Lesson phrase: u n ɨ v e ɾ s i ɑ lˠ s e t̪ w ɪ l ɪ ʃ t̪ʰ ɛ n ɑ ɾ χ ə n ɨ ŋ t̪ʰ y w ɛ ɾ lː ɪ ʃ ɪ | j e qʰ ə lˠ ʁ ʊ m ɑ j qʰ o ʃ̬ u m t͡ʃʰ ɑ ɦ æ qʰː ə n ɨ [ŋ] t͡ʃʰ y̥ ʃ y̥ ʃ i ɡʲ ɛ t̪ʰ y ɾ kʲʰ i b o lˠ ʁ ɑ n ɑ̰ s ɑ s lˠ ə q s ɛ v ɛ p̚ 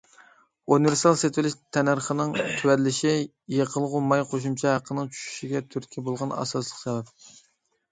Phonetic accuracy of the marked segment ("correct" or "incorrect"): correct